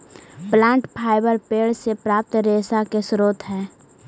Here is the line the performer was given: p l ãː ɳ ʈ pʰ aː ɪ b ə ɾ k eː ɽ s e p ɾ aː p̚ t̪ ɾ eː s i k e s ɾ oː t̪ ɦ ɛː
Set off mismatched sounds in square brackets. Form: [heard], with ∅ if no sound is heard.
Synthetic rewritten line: p l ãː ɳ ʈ pʰ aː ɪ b ə ɾ [p] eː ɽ s e p ɾ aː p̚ t̪ ɾ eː s [a] k e s ɾ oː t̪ ɦ ɛː